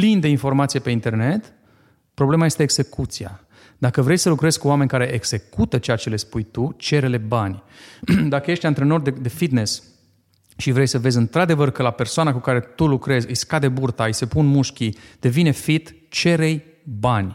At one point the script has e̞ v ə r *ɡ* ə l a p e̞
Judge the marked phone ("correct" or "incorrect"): incorrect